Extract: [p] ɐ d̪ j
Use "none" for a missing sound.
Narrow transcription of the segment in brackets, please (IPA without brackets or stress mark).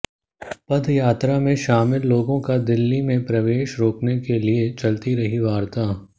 p